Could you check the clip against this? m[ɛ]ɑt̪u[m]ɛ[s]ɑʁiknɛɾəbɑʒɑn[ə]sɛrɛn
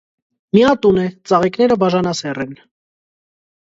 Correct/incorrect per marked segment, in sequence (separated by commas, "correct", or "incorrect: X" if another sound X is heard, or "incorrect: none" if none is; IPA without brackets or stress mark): incorrect: i, incorrect: n, incorrect: t͡s, incorrect: ɑ